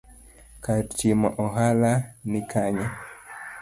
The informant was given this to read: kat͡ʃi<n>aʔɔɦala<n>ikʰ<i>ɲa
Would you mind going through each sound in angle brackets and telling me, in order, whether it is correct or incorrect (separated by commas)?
incorrect, correct, incorrect